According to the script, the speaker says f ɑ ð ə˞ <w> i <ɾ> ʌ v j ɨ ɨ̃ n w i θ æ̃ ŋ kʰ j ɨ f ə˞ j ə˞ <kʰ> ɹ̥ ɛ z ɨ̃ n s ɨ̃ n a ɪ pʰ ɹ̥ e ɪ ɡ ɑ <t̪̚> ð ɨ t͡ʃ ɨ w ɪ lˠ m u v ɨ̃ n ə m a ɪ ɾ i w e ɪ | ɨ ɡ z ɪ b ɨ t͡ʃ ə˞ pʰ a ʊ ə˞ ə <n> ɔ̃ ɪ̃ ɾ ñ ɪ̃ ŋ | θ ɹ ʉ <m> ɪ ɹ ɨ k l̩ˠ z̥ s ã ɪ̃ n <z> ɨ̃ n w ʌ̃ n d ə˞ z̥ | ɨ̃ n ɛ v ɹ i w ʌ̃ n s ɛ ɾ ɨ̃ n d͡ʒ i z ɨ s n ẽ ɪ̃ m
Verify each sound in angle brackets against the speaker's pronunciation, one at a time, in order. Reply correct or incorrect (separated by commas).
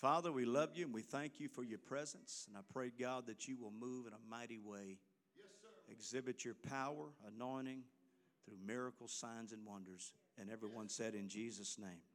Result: correct, incorrect, incorrect, incorrect, correct, correct, correct